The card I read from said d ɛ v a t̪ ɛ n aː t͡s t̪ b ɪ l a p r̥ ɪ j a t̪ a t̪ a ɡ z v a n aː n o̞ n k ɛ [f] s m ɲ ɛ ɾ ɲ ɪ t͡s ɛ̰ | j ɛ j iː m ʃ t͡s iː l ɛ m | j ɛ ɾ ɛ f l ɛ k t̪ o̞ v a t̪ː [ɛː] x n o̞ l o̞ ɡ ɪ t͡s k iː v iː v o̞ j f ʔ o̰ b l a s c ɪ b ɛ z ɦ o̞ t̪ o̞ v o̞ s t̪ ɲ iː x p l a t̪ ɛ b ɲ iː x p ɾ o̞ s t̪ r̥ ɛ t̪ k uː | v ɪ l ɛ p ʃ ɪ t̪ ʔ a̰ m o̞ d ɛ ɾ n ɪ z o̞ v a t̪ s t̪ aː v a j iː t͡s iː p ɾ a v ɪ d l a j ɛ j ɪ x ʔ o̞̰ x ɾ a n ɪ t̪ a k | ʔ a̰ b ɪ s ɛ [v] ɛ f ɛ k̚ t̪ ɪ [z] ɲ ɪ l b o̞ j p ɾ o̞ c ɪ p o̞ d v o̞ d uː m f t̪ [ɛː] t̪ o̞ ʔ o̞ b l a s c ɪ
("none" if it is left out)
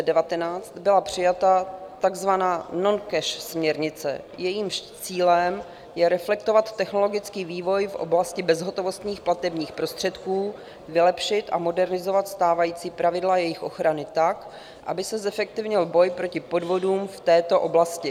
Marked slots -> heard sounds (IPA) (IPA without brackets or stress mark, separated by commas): ʃ, ɛ, z, v, ɛː